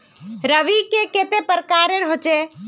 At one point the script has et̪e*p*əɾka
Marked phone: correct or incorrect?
correct